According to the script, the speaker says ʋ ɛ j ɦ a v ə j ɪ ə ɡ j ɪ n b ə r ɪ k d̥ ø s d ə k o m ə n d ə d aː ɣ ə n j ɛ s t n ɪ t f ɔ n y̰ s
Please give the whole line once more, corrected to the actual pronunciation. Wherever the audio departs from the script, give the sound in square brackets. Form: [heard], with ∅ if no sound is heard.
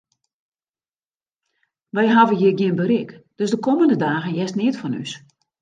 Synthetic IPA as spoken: ʋ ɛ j ɦ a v ə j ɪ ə ɡ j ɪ n b ə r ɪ k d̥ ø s d ə k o m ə n d ə d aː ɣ ə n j ɛ s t n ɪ t f ɔ n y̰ s